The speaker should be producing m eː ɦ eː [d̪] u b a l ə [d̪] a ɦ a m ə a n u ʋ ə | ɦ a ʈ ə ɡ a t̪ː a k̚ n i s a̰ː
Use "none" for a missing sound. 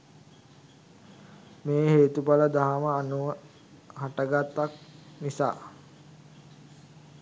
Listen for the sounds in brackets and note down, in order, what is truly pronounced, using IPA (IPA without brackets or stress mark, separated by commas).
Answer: t̪, d̪